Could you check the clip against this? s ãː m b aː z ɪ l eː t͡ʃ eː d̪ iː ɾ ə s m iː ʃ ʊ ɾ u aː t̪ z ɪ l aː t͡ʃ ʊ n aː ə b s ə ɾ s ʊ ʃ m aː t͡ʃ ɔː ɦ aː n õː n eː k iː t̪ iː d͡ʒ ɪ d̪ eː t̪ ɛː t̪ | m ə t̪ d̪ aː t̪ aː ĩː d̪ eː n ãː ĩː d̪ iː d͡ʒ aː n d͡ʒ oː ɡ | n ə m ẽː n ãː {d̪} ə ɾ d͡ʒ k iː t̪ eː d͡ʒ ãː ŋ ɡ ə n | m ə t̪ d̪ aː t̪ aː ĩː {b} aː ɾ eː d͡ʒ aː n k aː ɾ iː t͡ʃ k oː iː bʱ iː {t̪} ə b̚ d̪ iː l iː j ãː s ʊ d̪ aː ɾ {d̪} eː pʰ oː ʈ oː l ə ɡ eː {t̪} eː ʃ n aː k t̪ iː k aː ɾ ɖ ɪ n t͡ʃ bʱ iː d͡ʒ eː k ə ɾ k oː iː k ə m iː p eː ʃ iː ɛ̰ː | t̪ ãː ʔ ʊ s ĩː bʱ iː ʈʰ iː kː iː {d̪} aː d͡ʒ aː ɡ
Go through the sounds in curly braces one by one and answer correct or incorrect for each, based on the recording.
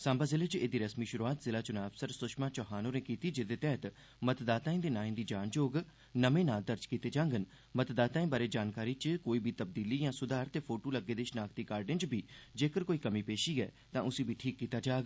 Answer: correct, correct, correct, incorrect, incorrect, incorrect

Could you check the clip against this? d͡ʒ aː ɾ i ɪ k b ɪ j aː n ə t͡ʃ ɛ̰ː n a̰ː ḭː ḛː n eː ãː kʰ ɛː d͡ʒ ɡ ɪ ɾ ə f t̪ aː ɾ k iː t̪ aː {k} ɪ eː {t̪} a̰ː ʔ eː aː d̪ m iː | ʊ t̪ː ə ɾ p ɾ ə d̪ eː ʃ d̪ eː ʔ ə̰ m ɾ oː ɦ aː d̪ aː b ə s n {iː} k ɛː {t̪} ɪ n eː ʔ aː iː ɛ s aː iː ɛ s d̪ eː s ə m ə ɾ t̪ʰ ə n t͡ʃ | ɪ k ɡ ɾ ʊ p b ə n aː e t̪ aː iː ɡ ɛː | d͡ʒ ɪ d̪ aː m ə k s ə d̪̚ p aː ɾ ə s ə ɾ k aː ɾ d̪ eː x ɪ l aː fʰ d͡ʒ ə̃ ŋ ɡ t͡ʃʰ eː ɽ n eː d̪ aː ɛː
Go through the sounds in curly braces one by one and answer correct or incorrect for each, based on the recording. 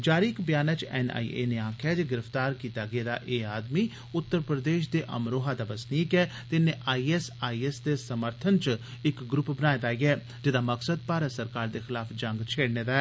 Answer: incorrect, incorrect, correct, correct

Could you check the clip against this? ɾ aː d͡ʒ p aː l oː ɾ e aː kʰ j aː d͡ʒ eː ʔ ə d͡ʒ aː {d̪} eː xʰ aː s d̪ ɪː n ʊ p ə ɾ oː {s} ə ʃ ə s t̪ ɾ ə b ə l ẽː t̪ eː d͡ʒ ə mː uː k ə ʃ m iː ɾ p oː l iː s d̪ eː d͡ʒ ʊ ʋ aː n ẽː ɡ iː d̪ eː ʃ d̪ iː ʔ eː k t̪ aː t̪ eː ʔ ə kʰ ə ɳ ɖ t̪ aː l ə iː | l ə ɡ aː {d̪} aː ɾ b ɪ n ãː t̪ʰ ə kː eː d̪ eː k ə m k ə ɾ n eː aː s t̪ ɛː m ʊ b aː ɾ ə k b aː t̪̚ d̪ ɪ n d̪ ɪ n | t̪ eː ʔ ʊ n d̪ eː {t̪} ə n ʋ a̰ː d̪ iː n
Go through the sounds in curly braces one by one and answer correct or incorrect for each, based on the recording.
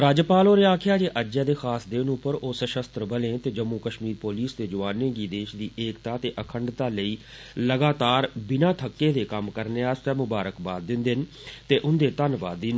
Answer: correct, correct, incorrect, correct

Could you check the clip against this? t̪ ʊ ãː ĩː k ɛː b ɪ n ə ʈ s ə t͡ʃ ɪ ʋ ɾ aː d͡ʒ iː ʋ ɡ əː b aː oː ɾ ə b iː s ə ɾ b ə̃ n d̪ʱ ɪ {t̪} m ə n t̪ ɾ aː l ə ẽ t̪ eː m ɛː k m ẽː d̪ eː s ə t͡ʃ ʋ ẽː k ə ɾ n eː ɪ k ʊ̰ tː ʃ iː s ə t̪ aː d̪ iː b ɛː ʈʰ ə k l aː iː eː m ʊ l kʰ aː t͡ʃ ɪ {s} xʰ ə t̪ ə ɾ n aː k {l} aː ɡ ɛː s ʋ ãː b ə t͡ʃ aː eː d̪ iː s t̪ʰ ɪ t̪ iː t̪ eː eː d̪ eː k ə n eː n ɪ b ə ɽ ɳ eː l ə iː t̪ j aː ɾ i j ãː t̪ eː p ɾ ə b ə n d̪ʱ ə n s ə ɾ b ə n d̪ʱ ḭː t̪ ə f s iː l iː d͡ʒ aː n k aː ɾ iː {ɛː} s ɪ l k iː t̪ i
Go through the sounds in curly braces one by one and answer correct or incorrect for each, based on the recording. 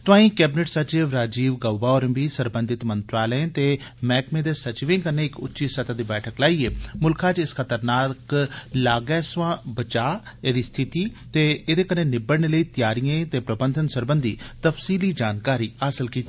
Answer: correct, correct, correct, incorrect

